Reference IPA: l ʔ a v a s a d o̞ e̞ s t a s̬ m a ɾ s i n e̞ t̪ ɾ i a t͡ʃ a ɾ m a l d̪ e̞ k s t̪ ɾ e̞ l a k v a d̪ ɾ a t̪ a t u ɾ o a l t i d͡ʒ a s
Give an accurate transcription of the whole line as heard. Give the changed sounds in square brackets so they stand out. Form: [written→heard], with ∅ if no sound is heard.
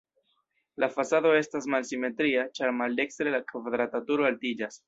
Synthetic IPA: l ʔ a [v→f] a s a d o̞ e̞ s t a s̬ m a [ɾ→l] s i [n→m] e̞ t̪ ɾ i a t͡ʃ a ɾ m a l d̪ e̞ k s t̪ ɾ e̞ l a k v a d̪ ɾ a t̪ a t u ɾ o a l t i d͡ʒ a s